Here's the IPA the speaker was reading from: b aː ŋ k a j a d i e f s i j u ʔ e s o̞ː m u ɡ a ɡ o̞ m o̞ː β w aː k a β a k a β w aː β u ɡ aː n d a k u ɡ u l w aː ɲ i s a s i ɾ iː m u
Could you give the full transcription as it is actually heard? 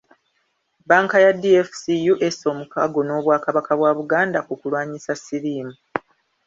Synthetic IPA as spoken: b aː ŋ k a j a d i e f s i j u ʔ e s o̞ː m u k a ɡ o̞ n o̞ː β w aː k a β a k a β w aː β u ɡ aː n d a k u k u l w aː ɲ i s a s i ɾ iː m u